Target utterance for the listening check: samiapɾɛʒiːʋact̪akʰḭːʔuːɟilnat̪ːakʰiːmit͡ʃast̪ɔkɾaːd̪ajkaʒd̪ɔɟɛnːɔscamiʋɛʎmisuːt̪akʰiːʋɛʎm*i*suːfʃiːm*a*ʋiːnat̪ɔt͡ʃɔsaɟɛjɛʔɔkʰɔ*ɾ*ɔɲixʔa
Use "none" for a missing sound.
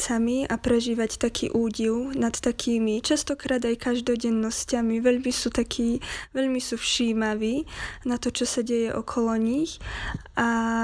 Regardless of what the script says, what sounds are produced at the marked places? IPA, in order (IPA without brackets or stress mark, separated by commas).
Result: i, a, l